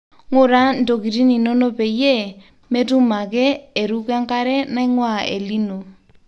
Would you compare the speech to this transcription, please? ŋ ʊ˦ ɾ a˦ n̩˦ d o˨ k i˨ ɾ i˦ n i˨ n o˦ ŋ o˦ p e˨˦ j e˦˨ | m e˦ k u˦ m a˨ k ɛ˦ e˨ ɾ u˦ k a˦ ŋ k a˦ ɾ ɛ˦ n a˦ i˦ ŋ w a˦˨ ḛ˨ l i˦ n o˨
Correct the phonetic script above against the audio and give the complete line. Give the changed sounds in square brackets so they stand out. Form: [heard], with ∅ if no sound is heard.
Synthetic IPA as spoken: ŋ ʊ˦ ɾ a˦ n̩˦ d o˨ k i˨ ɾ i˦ n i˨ n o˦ [n] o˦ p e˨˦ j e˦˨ | m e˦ [t] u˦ m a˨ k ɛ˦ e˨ ɾ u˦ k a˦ ŋ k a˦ ɾ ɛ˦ n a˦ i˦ ŋ w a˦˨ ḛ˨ l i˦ n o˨